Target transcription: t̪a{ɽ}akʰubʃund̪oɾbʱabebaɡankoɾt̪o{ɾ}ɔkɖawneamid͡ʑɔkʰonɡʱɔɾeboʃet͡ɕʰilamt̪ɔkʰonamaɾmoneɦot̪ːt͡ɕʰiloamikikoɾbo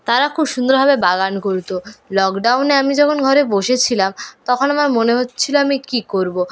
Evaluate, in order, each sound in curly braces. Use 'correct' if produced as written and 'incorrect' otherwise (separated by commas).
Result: incorrect, incorrect